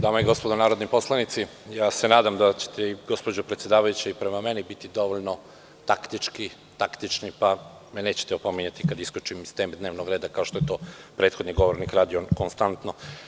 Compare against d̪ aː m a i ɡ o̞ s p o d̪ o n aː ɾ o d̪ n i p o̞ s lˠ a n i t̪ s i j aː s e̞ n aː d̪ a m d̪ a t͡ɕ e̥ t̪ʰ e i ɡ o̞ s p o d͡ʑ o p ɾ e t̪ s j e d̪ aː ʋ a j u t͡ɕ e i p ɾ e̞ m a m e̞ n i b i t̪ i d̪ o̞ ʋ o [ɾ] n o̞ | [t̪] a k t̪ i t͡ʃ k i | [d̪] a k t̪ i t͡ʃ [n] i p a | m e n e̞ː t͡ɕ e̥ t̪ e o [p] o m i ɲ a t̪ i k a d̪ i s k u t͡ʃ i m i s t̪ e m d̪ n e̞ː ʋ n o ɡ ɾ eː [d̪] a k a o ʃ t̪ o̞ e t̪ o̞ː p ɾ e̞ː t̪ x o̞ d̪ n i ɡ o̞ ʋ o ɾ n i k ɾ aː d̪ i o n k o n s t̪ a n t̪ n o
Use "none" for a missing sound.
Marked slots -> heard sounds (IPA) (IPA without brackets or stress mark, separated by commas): ʎ, t̪, t̪, n, p, d̪